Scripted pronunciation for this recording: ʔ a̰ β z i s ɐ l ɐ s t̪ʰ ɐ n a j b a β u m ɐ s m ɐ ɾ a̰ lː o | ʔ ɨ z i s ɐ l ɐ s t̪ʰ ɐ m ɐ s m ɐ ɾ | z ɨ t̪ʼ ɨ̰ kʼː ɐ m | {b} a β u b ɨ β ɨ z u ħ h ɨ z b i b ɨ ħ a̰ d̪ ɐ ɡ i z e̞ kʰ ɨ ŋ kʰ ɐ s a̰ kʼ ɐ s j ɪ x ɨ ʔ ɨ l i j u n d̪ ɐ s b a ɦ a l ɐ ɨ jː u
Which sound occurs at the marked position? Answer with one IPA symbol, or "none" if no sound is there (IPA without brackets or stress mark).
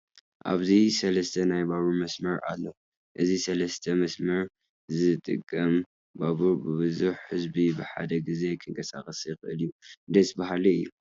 b